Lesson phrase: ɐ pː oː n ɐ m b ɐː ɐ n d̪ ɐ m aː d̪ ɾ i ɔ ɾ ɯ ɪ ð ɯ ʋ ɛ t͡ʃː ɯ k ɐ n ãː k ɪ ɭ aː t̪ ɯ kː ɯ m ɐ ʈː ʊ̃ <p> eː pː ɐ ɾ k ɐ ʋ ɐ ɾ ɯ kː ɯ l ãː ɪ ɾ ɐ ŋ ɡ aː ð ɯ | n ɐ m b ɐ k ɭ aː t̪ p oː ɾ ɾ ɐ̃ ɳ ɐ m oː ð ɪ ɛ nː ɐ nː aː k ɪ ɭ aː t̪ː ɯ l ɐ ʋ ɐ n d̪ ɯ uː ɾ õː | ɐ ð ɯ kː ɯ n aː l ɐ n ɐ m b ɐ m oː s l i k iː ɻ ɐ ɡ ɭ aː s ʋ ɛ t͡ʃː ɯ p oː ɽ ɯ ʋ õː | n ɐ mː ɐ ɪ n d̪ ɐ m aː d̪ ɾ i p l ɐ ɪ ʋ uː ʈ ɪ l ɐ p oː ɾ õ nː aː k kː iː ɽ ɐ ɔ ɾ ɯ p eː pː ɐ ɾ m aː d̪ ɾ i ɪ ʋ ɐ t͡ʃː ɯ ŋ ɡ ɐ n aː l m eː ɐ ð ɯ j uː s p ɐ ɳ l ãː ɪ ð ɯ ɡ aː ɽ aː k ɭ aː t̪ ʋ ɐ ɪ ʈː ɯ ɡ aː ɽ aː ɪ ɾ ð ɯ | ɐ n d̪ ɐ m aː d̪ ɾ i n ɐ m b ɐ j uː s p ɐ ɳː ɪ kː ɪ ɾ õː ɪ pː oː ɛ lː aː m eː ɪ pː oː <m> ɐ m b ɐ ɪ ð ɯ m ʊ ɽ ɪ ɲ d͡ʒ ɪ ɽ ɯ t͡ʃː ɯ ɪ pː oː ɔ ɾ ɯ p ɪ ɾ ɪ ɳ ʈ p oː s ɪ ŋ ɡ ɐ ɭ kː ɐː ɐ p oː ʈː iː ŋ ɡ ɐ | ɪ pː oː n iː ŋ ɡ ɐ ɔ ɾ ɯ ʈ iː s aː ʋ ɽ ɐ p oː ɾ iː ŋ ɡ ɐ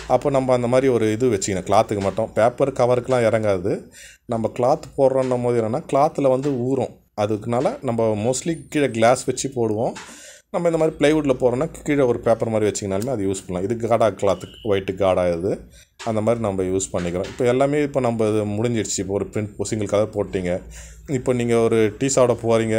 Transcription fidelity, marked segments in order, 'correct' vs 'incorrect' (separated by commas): correct, incorrect